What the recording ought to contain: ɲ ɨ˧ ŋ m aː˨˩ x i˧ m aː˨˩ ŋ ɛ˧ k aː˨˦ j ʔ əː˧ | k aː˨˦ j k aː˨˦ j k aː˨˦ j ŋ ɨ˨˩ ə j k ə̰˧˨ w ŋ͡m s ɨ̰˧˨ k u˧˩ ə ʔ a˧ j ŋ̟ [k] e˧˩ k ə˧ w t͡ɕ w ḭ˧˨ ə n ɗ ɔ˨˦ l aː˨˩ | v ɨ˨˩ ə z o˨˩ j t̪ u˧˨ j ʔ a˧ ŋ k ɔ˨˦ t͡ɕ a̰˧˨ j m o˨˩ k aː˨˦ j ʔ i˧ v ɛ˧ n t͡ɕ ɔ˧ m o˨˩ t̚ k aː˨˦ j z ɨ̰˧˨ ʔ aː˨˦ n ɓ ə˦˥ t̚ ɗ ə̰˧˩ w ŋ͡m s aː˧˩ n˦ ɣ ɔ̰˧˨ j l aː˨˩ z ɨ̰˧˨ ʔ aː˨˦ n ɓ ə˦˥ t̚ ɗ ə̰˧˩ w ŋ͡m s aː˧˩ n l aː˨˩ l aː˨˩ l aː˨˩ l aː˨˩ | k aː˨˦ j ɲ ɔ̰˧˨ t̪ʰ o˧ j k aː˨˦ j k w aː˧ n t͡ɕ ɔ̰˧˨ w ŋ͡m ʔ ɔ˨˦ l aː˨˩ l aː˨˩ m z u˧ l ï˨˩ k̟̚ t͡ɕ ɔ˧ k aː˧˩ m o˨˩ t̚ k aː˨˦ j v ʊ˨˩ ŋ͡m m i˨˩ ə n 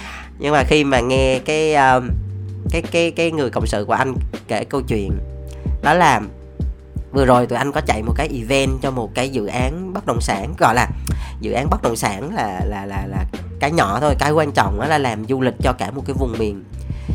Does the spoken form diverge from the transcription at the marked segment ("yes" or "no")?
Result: no